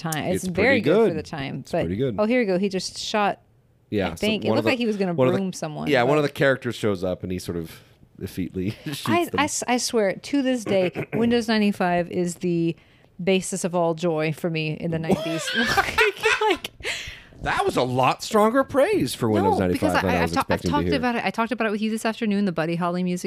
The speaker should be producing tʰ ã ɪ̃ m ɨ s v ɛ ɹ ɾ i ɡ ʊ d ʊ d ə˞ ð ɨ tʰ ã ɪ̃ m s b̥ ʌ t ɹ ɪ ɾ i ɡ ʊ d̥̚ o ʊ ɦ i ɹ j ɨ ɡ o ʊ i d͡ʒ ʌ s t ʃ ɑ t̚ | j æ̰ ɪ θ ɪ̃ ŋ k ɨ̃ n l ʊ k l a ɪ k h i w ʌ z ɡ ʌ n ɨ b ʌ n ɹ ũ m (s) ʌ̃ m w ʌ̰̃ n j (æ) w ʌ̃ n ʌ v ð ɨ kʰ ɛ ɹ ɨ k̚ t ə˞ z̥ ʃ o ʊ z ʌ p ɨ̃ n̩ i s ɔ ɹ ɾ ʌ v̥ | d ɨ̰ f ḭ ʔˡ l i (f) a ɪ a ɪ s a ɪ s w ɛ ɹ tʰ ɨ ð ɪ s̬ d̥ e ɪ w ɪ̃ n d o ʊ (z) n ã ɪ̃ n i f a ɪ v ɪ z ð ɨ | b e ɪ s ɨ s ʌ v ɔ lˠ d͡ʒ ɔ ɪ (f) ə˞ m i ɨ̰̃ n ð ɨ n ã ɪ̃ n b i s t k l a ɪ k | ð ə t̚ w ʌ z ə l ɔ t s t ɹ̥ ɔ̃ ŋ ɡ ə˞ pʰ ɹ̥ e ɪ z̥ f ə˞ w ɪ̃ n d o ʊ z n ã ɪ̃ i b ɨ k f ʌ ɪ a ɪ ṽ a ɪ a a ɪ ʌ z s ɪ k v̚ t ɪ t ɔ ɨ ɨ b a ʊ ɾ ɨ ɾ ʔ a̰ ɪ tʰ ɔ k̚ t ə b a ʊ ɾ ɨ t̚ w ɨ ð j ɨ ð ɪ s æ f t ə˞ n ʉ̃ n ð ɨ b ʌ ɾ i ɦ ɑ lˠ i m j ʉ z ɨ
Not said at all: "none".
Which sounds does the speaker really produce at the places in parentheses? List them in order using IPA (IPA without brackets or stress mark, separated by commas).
s, æ, ʃ, z, f